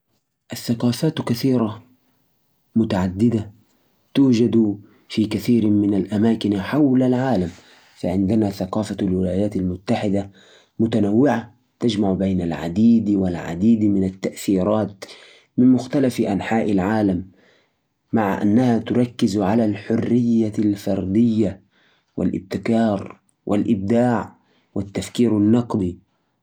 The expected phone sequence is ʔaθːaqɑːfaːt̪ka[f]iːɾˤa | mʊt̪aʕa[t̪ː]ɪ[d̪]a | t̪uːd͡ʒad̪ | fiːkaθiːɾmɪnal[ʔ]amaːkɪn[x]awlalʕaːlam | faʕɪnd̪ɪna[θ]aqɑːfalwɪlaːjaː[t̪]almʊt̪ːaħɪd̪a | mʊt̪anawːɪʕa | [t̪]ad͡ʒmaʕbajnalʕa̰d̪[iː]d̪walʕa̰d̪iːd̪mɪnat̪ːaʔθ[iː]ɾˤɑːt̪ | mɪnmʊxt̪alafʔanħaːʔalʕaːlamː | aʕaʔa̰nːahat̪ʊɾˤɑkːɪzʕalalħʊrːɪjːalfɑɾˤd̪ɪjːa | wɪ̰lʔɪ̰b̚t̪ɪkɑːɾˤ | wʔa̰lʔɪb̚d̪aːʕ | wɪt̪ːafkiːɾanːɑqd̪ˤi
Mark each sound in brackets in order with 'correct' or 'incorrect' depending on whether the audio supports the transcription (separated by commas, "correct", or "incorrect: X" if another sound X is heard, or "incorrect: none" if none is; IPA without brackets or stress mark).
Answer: incorrect: θ, incorrect: d̪ː, correct, correct, incorrect: ħ, correct, correct, correct, correct, correct